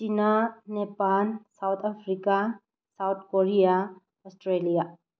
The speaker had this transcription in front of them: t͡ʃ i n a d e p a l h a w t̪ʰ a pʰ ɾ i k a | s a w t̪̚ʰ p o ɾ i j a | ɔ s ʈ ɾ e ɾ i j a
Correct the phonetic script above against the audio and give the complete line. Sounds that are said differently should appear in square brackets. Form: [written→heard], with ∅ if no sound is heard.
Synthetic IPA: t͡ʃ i n a [d→n] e p a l [h→s] a w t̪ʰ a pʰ ɾ i k a | s a w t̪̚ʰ [p→k] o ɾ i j a | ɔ s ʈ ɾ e [ɾ→l] i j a

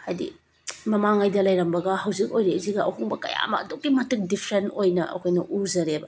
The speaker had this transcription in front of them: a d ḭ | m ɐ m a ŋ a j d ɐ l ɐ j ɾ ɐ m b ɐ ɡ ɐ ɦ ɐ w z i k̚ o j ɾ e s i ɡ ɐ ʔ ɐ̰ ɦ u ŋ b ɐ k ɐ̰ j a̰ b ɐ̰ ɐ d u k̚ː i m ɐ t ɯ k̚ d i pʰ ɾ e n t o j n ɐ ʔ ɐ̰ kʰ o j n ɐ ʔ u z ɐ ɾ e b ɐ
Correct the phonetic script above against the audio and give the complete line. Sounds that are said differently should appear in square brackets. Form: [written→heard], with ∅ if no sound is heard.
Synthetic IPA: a d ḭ | m ɐ m a ŋ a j d ɐ l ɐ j ɾ ɐ m b ɐ ɡ ɐ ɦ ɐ w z i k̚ o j ɾ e [s→z] i ɡ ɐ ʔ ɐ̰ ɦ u ŋ b ɐ k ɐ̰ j a̰ [b→m] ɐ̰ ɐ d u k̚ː i m ɐ t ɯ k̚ d i pʰ ɾ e n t o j n ɐ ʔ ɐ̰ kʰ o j n ɐ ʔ u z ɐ ɾ e b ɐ

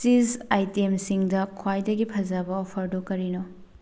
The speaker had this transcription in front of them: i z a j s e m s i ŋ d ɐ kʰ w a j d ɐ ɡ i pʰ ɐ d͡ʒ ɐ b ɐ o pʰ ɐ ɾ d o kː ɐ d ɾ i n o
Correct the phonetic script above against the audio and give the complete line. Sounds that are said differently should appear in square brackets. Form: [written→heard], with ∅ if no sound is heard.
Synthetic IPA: i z a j [s→t] e m s i ŋ d ɐ kʰ w a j d ɐ ɡ i pʰ ɐ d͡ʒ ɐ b ɐ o pʰ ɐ ɾ d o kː ɐ [d→∅] ɾ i n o

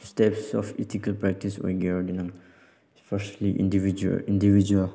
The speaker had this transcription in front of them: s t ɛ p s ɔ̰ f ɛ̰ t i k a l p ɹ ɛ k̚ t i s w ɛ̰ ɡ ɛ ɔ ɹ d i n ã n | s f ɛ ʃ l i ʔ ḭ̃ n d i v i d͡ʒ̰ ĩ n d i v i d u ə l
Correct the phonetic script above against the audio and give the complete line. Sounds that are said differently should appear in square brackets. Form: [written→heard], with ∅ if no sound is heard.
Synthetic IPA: s t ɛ p s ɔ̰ f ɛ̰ t i k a l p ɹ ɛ k̚ t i s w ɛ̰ ɡ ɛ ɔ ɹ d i n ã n | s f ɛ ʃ l i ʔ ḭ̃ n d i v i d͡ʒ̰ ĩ n d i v i [d→d͡ʒ] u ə l

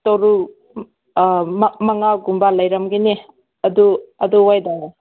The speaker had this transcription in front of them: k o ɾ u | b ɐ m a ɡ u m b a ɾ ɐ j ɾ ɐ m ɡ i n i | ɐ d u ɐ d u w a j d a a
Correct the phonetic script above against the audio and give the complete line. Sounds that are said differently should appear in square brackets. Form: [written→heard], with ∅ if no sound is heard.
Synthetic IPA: [k→t] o ɾ u | [b→m] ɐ [m→ŋ] a ɡ u m b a [ɾ→l] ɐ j ɾ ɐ m ɡ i n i | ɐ d u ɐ d u w a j d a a

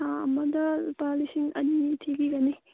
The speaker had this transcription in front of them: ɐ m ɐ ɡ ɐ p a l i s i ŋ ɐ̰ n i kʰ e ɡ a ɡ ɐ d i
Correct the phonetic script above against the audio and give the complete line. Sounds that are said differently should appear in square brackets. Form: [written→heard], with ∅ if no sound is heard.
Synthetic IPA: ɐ m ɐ [ɡ→d] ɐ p a l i s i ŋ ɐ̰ n i [kʰ→tʰ] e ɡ [a→i] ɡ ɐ [d→n] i

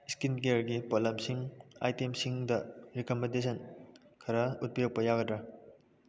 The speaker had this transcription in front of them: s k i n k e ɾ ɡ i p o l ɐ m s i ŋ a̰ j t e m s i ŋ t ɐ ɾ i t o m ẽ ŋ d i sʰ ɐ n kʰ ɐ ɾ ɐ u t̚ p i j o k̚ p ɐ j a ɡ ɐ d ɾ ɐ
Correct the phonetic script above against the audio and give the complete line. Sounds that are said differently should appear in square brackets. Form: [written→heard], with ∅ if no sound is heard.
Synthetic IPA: s k i n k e ɾ ɡ i p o l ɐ m s i ŋ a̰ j t e m s i ŋ [t→d] ɐ ɾ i [t→k] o m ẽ [ŋ→n] d [i→e] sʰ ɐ n kʰ ɐ ɾ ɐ u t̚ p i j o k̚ p ɐ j a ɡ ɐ d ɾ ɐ

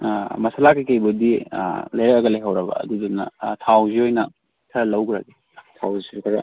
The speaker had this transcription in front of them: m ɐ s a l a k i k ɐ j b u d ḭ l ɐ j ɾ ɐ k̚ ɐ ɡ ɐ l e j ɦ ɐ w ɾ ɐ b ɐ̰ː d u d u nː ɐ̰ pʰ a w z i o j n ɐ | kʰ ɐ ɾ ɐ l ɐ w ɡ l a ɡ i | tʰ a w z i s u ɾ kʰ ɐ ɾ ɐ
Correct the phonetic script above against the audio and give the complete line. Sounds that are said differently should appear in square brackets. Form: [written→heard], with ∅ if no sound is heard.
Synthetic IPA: m ɐ s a l a k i k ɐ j b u d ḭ l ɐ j ɾ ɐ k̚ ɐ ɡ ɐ l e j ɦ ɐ w ɾ ɐ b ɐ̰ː d u d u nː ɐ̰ [pʰ→tʰ] a w z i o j n ɐ | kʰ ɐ ɾ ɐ l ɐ w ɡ [l→ɾ] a ɡ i | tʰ a w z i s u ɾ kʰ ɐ ɾ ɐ

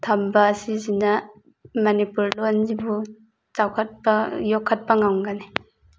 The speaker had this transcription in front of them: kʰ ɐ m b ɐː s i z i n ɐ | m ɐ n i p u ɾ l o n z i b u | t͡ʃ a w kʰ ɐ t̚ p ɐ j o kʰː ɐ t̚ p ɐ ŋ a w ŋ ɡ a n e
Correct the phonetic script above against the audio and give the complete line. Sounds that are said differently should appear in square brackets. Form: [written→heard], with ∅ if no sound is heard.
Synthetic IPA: [kʰ→tʰ] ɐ m b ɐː s i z i n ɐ | m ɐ n i p u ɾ l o n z i b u | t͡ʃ a w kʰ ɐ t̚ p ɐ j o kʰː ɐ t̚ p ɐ ŋ a w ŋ ɡ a n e

